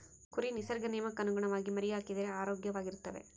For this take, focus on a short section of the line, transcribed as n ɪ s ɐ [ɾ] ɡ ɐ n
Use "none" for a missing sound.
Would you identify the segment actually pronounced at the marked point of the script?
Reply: ɾ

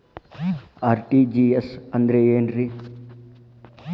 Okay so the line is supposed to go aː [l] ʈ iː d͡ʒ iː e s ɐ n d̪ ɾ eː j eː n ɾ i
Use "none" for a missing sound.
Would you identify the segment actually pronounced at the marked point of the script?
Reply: ɾ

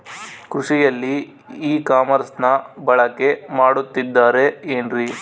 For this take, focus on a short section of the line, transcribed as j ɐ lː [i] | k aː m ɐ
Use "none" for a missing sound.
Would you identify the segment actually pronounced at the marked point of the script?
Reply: iː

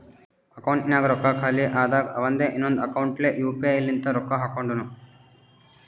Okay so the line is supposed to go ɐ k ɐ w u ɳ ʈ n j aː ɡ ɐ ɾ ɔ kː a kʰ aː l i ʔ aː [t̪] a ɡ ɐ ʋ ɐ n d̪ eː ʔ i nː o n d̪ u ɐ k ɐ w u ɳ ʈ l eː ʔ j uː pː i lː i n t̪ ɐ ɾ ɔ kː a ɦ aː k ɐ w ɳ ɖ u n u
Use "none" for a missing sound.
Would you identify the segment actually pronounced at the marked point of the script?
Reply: d̪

